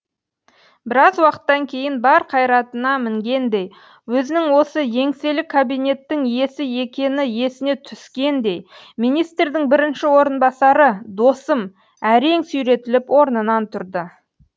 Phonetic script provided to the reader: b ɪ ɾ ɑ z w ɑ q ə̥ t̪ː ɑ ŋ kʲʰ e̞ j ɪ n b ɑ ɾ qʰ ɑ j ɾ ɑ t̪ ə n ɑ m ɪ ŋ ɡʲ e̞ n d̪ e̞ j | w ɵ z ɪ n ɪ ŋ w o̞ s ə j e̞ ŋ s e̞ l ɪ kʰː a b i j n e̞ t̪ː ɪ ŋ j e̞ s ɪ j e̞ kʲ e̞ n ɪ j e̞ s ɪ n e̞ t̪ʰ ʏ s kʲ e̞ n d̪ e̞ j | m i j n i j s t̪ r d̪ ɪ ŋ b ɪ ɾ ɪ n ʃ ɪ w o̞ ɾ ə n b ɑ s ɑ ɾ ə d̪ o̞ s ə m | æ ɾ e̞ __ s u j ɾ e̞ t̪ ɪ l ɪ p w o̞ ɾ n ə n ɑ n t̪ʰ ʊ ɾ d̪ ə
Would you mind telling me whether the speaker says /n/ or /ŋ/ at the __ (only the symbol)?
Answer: ŋ